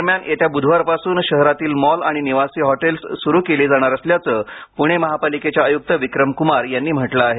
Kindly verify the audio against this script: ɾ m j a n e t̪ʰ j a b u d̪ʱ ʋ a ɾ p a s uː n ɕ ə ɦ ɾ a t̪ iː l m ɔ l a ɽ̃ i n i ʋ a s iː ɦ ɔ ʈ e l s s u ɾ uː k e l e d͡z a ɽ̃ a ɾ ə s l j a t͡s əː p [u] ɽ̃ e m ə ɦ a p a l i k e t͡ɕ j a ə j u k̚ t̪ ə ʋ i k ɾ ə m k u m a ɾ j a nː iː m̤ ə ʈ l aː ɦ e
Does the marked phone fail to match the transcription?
no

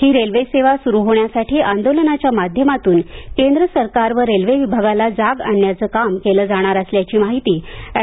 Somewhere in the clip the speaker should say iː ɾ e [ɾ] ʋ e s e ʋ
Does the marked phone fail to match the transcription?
yes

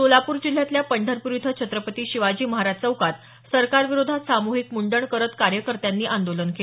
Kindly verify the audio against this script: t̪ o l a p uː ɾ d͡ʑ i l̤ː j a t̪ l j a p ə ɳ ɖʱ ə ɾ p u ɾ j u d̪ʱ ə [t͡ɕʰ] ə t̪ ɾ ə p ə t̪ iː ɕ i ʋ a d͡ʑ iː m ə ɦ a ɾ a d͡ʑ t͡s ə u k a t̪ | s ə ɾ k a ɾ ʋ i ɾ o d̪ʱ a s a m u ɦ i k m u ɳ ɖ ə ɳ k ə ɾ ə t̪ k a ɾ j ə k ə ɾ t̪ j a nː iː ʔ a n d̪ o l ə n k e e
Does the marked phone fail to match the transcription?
no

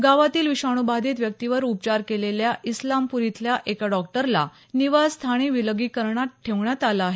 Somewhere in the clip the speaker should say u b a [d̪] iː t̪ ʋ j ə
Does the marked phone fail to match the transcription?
no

